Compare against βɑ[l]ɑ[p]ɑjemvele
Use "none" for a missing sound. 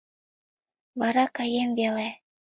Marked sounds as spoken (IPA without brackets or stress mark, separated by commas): ɾ, k